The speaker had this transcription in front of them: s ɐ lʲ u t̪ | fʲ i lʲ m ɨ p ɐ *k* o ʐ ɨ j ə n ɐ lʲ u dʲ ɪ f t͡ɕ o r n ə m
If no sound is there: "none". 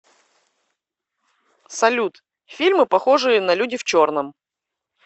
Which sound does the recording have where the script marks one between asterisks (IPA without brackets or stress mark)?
x